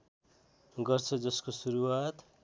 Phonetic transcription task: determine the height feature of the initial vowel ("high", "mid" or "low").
mid